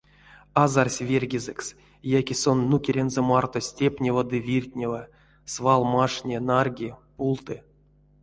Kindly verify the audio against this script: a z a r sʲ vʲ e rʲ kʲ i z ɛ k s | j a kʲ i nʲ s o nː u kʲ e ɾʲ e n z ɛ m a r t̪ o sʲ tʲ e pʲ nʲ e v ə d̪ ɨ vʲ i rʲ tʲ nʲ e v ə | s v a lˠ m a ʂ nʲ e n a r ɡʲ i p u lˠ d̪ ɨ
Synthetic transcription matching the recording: a z a r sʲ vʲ e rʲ ɡʲ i z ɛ k s | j a kʲ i s o nː u kʲ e ɾʲ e n z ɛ m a r t̪ o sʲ tʲ e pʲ nʲ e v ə d̪ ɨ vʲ i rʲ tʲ nʲ e v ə | s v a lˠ m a ʂ nʲ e n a r ɡʲ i p u lˠ t̪ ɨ